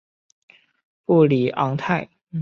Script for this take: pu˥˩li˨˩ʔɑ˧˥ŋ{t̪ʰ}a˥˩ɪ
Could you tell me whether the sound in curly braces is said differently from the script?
no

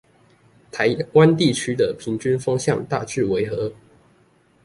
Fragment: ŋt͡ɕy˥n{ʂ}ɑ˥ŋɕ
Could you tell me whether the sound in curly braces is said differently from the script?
yes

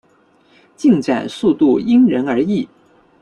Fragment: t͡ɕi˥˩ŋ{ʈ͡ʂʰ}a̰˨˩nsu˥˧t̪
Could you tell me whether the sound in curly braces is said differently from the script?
yes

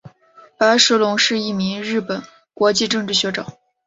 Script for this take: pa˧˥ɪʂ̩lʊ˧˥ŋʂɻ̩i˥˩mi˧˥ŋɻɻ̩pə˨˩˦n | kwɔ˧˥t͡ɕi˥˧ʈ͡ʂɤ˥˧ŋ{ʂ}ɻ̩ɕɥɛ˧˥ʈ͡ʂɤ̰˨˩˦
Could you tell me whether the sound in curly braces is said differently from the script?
yes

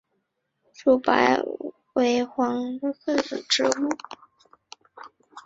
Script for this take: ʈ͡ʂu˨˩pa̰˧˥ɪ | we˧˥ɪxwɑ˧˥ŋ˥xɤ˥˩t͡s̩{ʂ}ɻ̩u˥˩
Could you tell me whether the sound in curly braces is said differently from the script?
yes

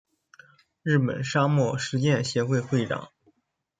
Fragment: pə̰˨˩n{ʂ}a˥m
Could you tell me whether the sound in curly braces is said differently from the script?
no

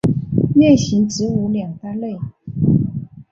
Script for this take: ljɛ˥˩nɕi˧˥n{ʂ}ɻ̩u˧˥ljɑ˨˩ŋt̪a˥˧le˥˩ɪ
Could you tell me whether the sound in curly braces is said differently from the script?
yes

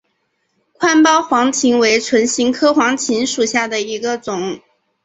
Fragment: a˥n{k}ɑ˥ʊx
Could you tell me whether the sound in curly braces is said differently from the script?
yes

